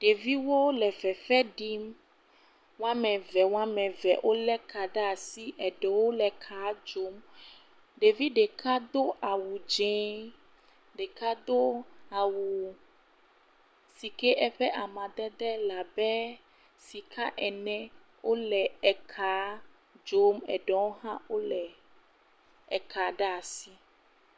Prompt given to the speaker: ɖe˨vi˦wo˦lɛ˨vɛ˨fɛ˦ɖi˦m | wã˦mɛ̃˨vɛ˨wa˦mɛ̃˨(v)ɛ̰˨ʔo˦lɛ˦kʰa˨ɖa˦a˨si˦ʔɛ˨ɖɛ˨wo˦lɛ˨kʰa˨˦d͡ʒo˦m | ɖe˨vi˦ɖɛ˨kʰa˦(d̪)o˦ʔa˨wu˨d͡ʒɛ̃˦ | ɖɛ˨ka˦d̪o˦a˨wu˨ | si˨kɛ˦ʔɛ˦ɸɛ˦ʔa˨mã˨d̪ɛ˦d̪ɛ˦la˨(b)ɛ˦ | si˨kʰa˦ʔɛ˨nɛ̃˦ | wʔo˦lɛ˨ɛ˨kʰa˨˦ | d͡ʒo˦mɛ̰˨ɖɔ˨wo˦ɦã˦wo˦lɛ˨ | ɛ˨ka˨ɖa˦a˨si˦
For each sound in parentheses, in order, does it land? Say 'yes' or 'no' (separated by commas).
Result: yes, yes, yes